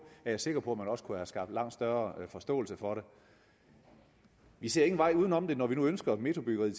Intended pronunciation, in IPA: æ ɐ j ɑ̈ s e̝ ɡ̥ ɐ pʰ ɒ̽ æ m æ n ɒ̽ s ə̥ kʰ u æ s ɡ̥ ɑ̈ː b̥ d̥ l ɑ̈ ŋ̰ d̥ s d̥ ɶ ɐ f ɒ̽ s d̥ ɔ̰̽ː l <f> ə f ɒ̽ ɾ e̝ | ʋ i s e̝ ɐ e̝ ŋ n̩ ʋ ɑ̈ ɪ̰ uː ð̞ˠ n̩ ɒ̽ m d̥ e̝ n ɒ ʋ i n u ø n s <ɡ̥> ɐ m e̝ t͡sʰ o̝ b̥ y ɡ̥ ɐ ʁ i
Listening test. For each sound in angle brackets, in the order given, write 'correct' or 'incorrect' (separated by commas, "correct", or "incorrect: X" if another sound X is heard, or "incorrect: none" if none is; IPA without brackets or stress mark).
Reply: incorrect: s, correct